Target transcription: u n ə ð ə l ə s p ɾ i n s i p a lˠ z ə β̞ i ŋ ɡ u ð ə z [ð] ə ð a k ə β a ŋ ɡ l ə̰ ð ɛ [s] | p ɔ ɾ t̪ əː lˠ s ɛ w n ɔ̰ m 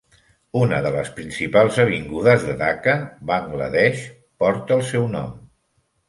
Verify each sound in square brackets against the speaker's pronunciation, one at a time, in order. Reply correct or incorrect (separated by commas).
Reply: correct, incorrect